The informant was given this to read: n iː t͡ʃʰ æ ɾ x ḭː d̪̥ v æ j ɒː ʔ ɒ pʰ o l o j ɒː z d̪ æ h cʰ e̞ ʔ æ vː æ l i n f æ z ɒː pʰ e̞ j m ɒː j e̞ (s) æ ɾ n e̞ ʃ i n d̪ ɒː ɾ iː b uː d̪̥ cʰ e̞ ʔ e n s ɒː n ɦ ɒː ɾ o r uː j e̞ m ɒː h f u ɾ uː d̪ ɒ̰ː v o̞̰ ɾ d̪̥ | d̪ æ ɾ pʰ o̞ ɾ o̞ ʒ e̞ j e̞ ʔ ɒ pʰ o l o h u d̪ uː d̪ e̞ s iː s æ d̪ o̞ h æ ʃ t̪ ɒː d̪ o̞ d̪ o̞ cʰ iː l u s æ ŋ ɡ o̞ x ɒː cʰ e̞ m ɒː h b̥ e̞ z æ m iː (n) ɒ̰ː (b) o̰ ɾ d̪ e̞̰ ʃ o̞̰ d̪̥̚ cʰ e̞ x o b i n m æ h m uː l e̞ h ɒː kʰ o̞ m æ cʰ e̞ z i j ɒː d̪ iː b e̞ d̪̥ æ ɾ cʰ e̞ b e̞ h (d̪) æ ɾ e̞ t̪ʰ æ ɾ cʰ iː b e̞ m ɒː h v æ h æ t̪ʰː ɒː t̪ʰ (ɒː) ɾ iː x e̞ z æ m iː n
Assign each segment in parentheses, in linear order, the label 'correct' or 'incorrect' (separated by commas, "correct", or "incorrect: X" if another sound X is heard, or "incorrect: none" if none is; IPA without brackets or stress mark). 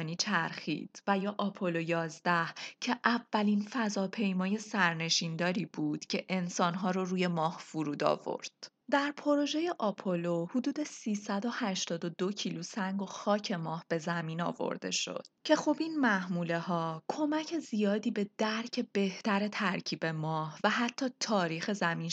correct, correct, incorrect: v, incorrect: t̪, correct